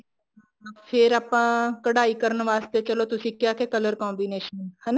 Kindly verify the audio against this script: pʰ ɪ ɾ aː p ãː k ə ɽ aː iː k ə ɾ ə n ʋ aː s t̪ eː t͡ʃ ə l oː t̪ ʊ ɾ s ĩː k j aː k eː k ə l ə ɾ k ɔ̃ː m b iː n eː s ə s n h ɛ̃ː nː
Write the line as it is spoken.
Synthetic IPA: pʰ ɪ ɾ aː p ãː k ə ɽ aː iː k ə ɾ ə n ʋ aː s t̪ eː t͡ʃ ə l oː t̪ ʊ s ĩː k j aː k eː k ə l ə ɾ k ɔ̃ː m b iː n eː ʃ ə n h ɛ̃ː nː